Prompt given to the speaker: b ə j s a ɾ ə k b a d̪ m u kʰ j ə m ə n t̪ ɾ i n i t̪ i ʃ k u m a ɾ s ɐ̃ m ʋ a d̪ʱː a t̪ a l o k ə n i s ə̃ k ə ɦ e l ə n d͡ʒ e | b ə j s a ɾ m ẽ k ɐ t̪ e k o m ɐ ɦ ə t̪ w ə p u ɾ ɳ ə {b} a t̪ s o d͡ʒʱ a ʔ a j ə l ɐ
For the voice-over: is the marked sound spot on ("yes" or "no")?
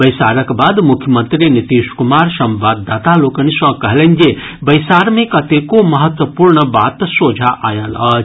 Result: yes